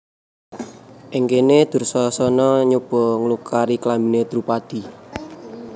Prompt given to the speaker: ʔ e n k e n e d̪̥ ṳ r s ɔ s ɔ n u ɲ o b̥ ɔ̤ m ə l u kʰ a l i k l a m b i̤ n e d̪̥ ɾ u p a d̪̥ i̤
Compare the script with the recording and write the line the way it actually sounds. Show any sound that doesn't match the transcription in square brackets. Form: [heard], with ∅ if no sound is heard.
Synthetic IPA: ʔ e [ŋ] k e n e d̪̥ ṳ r s ɔ s ɔ n [ɔ] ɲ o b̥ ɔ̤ [ŋ] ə l u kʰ a [ɾ] i k l a m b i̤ n e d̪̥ ɾ u p a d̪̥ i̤

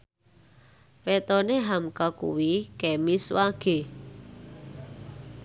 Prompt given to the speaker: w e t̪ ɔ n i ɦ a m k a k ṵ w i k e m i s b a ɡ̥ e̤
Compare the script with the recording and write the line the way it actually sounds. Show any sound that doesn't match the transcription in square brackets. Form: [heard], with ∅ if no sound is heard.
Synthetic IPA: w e t̪ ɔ n [e] ɦ a m k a k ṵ w i k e m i s [w] a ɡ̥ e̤

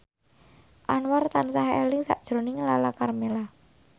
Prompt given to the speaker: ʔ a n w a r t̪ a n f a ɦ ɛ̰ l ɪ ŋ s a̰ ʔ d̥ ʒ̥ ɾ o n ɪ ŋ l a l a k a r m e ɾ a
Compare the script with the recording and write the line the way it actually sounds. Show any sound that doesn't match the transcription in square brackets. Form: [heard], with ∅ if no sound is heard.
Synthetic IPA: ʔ a n w a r t̪ a n [s] a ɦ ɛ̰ l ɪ ŋ s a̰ ʔ d̥ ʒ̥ ɾ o n ɪ ŋ l a l a k a r m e [l] a

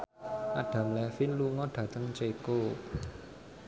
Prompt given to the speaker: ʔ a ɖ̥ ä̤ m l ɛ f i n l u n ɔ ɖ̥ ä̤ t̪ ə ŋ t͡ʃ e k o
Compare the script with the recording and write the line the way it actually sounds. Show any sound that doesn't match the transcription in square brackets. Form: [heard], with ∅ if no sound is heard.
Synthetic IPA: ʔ a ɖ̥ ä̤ m l ɛ f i n l u [ŋ] ɔ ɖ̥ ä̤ t̪ ə ŋ t͡ʃ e k o

